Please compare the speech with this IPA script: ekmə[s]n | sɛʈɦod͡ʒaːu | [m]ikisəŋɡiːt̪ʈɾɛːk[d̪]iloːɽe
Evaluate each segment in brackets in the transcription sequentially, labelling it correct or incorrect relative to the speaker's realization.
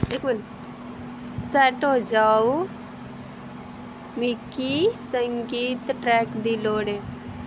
incorrect: none, correct, correct

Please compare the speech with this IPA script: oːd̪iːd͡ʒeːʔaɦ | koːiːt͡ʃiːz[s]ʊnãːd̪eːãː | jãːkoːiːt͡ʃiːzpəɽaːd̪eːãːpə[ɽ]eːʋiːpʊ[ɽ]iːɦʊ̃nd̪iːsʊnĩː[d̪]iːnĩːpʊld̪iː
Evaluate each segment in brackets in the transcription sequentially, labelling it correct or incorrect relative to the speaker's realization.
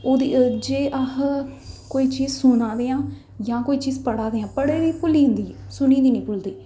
correct, correct, incorrect: l, correct

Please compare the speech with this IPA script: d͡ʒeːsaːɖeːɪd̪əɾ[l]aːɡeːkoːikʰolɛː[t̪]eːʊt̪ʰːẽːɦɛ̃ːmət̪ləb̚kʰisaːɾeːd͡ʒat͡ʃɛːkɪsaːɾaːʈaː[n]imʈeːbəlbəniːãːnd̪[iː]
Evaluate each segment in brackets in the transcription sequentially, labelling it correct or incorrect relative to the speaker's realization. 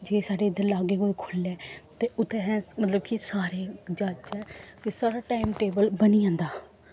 correct, correct, incorrect: none, incorrect: aː

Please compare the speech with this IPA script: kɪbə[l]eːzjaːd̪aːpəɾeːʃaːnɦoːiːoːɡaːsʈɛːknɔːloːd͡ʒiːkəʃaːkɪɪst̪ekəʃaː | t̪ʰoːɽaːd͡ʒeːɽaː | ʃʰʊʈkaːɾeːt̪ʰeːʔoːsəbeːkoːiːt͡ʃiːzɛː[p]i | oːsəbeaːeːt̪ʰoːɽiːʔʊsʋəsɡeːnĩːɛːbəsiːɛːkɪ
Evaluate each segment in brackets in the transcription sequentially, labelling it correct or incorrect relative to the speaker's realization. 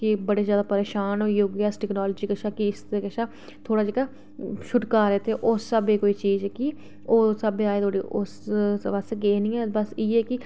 incorrect: ɽ, incorrect: k

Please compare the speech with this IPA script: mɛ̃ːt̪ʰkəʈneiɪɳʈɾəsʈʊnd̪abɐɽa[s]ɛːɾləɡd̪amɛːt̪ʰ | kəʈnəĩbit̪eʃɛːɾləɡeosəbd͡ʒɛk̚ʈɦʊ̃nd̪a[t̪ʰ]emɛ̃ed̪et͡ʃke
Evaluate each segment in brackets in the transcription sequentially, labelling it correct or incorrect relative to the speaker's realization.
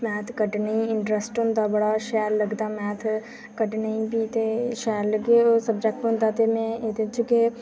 incorrect: ʃ, incorrect: t̪

